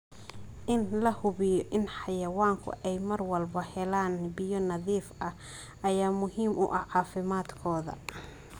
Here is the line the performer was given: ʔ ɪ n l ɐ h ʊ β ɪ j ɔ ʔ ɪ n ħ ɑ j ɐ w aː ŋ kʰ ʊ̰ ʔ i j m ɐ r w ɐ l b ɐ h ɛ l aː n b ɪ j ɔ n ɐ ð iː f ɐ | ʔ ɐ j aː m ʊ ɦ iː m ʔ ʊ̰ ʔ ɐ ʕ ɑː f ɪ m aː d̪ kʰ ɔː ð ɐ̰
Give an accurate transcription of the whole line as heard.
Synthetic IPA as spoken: ʔ ɪ n l ɐ h ʊ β ɪ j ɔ ʔ ɪ n ħ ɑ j ɐ w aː ŋ kʰ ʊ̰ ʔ ɛ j m ɐ r w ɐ l b ɐ h ɛ l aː n b ɪ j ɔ n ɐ ð iː f ɐ | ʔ ɐ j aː m ʊ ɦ iː m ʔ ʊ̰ ʔ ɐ ʕ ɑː f ɪ m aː d̪ kʰ ɔː ð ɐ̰